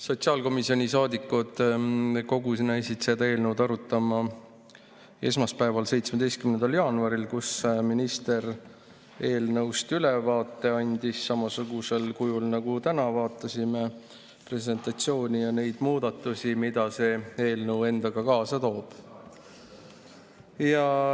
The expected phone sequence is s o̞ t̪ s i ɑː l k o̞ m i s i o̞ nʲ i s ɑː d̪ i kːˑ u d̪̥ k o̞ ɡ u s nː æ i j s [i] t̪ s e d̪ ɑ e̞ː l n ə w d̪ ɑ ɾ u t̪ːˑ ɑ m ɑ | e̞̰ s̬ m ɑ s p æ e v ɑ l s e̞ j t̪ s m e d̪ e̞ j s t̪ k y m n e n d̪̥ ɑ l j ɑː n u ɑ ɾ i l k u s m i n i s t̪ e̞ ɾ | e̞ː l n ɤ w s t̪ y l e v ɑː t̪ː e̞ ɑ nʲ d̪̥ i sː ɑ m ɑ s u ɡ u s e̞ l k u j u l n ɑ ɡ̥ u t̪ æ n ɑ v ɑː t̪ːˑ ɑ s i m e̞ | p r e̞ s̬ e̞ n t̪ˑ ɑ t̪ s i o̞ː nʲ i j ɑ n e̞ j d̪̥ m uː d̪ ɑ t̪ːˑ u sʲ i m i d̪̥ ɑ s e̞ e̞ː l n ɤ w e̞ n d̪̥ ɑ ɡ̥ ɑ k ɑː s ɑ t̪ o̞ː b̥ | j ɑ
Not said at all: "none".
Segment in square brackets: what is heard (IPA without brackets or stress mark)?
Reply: i